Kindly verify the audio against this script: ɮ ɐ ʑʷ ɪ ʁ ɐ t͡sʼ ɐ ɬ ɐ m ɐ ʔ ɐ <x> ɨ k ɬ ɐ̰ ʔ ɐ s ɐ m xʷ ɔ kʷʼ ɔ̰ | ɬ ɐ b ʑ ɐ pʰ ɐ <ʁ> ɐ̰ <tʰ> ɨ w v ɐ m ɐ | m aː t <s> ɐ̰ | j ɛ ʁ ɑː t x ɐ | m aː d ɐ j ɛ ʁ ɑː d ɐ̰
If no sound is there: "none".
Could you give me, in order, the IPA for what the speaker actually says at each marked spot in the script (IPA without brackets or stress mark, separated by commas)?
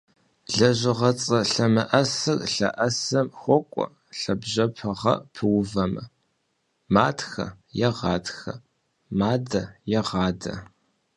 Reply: s, ʁ, pʰ, x